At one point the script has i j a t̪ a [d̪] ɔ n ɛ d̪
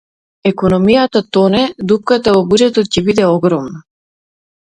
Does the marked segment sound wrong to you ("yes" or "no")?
yes